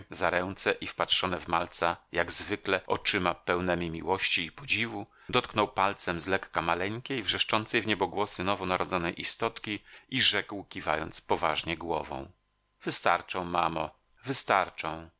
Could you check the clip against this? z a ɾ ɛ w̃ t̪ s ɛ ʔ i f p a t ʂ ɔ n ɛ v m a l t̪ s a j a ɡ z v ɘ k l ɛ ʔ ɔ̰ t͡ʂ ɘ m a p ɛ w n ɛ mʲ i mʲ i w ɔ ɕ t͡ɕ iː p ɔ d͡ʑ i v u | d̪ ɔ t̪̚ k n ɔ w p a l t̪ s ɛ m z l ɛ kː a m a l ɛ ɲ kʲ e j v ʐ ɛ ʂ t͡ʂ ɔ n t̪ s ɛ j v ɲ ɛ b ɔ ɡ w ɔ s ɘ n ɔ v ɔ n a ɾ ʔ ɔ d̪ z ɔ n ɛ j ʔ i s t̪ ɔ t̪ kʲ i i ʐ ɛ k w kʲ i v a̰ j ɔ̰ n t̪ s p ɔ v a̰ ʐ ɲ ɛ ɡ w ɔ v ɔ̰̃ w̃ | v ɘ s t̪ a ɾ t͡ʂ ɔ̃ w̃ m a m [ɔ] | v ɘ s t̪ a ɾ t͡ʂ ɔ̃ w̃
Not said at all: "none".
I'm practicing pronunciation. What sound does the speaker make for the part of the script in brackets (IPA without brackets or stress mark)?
ɔ